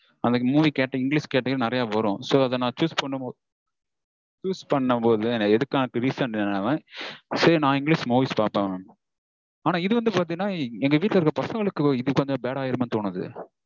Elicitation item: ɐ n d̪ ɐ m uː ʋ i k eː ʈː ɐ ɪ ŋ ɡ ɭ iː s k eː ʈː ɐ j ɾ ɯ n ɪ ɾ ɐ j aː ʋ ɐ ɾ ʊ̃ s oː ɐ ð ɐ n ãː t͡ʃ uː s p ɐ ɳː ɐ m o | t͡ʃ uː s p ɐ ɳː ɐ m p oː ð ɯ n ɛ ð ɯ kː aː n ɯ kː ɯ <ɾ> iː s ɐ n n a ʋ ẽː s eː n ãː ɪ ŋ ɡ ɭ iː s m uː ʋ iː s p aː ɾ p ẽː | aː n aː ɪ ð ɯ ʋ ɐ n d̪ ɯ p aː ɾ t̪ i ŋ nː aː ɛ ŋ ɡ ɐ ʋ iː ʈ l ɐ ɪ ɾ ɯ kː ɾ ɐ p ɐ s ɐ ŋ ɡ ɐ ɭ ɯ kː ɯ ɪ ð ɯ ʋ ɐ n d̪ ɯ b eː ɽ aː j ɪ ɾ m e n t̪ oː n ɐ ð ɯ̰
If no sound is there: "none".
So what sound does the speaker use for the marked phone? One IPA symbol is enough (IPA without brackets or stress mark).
ɾ